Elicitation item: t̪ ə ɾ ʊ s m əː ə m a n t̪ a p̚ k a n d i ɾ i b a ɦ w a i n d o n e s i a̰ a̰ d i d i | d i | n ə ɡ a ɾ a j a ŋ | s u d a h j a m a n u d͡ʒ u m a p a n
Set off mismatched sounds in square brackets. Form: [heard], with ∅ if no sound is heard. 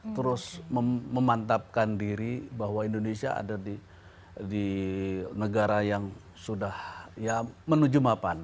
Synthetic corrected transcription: t̪ ə ɾ ʊ s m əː ə m a n t̪ a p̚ k a n d i ɾ i b a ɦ w a i n d o n e s i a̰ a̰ d [a] d i | d i | n ə ɡ a ɾ a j a ŋ | s u d a h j a m [ə] n u d͡ʒ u m a p a n